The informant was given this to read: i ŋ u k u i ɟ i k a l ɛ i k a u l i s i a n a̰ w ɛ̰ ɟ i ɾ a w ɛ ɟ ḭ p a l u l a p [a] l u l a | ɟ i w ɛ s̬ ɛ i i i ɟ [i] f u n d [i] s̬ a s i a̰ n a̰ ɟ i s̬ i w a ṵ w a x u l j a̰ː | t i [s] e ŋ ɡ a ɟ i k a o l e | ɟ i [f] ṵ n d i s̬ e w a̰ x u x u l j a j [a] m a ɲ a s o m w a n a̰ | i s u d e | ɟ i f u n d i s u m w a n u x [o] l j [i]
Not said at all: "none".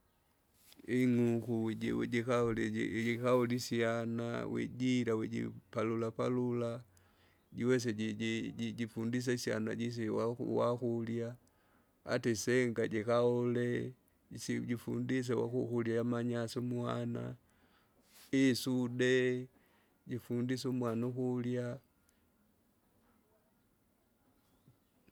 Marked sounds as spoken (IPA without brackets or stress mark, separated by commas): a, i, i, s, f, a, u, a